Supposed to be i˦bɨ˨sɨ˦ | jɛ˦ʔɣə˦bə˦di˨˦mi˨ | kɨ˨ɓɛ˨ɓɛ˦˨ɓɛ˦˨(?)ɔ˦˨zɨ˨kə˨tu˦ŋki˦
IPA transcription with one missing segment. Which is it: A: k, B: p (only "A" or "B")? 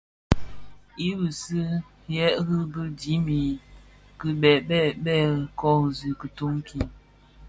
A